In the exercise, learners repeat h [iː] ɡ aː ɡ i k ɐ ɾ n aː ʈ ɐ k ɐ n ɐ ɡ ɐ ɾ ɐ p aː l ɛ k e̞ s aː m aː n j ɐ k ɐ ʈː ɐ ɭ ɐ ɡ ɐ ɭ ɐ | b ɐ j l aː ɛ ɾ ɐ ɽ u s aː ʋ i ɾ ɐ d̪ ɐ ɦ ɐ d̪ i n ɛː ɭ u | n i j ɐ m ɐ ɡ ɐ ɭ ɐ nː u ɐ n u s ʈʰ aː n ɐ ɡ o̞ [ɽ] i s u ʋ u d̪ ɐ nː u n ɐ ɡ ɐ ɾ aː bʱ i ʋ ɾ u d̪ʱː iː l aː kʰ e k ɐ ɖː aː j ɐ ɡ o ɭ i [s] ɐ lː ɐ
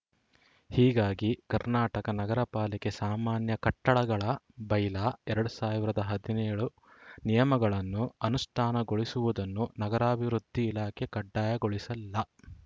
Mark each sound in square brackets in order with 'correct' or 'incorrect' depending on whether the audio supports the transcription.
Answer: correct, incorrect: ɭ, correct

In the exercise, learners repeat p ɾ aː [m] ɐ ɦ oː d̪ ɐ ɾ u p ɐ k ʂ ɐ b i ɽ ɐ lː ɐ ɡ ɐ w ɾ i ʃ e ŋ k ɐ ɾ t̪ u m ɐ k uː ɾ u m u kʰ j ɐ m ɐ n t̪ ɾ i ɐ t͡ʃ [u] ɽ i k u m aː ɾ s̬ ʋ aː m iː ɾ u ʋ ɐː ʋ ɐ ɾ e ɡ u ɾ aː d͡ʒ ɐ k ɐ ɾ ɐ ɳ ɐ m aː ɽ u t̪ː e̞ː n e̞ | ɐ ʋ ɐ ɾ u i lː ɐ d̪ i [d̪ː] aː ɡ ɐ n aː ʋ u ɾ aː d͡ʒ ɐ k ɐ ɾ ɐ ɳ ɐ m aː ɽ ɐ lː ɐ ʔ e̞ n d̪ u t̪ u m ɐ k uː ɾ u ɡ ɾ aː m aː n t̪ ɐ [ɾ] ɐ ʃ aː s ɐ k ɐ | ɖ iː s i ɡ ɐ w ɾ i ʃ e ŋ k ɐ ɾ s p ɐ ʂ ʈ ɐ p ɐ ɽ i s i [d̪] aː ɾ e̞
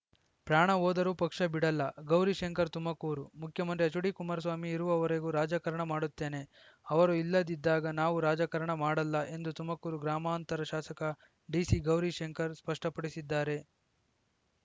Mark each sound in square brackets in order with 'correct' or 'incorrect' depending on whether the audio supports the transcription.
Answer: incorrect: ɳ, correct, correct, correct, incorrect: d̪ː

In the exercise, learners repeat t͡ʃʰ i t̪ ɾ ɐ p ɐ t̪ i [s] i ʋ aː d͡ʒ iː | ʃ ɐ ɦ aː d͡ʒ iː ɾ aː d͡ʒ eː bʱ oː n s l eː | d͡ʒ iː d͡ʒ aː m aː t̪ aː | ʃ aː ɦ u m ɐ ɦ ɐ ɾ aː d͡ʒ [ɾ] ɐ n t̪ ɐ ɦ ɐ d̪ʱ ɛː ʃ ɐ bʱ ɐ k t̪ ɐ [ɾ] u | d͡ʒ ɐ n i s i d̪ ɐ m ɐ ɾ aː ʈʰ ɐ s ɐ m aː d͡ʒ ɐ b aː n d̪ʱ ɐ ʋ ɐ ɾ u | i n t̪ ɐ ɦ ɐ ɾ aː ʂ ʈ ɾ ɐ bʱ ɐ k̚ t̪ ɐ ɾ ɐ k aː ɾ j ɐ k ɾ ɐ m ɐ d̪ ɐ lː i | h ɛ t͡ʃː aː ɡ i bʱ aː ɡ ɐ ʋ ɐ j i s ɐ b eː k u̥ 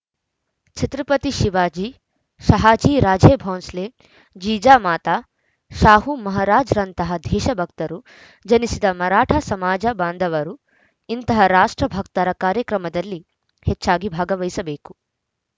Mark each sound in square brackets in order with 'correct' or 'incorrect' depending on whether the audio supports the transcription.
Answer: incorrect: ʃ, correct, correct

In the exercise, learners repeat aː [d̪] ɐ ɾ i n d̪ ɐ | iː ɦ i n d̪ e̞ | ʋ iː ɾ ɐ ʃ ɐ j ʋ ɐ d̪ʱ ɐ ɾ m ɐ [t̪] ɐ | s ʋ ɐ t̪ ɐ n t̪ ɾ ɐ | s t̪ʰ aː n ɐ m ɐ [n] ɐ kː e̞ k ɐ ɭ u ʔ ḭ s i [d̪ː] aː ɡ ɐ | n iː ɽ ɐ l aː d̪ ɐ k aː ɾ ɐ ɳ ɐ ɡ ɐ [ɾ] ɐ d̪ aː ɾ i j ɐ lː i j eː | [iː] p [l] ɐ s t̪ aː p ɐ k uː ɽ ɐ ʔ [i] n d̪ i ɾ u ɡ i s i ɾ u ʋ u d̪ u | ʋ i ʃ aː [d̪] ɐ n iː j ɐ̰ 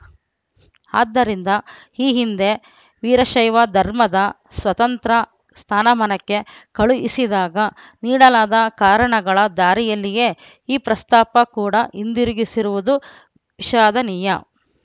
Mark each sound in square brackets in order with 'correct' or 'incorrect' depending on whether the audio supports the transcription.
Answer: incorrect: d̪ː, incorrect: d̪, correct, incorrect: d̪, incorrect: ɭ, correct, incorrect: ɾ, correct, correct

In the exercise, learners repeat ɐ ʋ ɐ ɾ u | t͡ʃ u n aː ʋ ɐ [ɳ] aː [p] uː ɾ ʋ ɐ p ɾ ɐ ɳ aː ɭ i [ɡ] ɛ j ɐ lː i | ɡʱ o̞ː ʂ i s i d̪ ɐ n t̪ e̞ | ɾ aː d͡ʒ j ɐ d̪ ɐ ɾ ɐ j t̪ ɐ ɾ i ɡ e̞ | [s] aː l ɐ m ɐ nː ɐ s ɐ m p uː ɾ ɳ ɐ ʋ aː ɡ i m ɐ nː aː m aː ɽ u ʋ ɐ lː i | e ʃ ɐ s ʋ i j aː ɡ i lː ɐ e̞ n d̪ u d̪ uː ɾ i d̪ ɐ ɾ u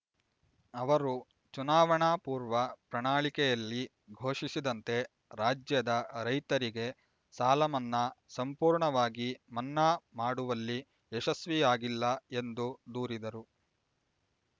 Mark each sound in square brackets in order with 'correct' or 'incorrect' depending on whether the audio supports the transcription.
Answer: correct, correct, incorrect: k, correct

